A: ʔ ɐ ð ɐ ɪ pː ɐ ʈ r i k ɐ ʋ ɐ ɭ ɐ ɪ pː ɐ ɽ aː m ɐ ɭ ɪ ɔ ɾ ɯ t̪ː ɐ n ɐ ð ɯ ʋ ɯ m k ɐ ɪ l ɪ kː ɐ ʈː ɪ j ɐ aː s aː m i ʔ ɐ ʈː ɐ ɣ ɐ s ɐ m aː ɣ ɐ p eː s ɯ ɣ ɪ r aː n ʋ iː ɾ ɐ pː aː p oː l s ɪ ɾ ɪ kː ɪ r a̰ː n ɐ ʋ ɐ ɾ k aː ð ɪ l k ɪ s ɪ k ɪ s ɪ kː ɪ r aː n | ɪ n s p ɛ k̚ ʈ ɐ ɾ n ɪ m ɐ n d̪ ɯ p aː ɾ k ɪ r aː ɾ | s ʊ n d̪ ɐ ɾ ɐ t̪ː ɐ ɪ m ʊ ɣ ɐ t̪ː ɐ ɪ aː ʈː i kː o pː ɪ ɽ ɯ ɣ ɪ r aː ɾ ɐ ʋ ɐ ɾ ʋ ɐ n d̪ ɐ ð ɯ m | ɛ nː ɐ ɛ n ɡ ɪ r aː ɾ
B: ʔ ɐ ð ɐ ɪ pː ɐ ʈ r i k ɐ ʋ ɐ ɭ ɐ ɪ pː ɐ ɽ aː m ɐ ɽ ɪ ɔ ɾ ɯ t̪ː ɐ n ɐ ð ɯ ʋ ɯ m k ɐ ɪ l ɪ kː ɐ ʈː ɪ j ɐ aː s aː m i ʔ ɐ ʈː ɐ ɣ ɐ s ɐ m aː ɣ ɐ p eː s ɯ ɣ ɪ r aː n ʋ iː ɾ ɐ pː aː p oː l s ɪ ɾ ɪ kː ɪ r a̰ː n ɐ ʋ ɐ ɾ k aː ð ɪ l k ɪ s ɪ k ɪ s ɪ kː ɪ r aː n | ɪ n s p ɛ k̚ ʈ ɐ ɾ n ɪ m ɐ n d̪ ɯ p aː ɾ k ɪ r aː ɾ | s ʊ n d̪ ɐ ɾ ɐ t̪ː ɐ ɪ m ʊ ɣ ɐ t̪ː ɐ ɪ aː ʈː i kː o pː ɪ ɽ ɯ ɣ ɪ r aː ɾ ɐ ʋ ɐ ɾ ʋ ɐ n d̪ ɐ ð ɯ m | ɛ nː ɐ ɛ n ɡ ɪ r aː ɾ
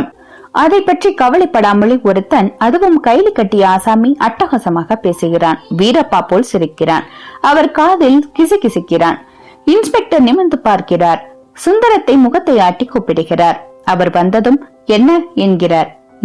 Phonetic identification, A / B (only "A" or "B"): A